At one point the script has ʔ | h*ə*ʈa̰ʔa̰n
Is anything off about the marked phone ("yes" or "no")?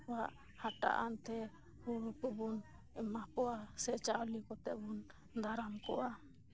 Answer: yes